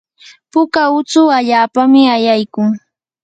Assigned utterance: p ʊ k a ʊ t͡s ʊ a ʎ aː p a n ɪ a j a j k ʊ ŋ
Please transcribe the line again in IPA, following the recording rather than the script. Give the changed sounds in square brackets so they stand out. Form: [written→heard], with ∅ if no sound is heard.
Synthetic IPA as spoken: p ʊ k a ʊ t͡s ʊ a ʎ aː p a [n→m] ɪ a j a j k ʊ ŋ